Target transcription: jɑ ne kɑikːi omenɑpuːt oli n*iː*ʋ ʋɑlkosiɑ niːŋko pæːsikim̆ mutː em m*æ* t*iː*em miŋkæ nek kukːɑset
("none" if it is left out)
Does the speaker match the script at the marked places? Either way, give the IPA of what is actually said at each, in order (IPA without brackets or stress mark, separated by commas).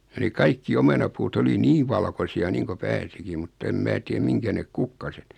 iː, æː, i